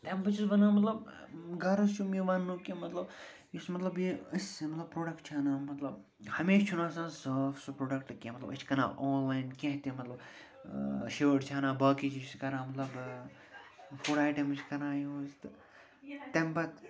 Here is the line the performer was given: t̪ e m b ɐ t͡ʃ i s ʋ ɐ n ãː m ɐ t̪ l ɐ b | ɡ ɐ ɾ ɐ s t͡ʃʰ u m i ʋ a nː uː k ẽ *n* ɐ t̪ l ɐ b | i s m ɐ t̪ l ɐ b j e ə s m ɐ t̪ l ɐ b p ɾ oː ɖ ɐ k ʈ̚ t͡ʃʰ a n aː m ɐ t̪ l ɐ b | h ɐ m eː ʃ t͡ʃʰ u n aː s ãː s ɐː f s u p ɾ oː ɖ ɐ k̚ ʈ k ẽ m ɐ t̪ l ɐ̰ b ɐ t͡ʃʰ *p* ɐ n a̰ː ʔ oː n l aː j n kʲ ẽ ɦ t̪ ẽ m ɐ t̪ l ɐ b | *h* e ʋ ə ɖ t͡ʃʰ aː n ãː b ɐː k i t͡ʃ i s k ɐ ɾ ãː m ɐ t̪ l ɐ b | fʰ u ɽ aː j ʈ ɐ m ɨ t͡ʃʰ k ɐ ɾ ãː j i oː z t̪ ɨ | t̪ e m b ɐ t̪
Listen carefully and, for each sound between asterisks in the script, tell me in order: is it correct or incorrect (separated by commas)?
incorrect, incorrect, incorrect